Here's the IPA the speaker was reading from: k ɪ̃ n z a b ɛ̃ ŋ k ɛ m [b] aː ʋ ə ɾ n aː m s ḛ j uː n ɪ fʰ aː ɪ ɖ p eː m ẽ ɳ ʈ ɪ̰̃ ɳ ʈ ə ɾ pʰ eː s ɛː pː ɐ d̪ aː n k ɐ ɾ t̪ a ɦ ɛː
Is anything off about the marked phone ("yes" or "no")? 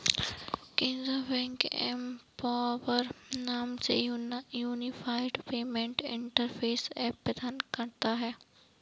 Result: yes